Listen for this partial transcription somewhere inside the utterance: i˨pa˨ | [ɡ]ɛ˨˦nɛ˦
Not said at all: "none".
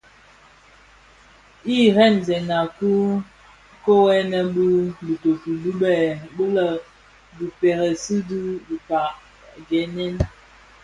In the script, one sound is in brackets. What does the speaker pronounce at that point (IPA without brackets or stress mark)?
ɡ